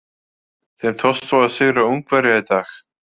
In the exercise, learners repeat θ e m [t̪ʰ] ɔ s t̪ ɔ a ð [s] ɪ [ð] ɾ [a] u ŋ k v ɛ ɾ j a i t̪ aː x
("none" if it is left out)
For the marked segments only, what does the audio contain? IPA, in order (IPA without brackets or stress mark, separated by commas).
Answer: t̪ʰ, s, ɣ, a